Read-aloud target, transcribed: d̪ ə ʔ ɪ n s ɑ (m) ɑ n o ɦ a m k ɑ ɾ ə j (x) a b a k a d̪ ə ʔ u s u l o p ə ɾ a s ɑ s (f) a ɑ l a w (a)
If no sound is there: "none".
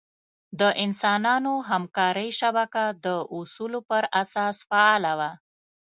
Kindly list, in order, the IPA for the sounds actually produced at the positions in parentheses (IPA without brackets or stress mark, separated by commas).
n, ʃ, f, a